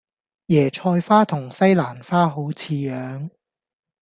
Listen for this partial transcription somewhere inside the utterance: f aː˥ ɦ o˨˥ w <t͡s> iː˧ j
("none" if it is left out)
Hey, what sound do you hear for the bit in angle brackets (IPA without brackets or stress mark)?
t͡sʰ